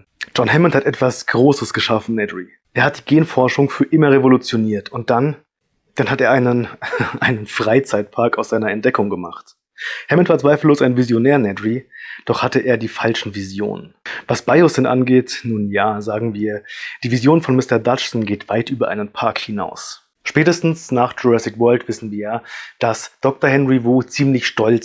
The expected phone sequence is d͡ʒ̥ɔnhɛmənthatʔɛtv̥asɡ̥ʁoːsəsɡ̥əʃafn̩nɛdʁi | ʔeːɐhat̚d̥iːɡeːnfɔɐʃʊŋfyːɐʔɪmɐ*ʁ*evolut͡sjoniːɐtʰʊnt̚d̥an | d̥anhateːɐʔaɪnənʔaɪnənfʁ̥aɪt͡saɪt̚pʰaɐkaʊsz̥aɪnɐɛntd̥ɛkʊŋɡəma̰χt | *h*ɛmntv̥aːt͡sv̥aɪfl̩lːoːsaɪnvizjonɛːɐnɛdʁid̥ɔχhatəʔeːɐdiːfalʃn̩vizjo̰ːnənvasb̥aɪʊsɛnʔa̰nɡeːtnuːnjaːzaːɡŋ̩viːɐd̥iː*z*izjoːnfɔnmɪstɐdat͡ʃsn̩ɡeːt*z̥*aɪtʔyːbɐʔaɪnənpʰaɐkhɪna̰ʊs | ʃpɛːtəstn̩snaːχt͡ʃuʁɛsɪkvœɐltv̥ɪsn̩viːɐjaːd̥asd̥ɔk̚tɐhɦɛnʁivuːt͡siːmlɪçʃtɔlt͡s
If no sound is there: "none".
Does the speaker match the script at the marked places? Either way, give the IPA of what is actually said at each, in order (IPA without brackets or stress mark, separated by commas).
ʁ, h, v, v̥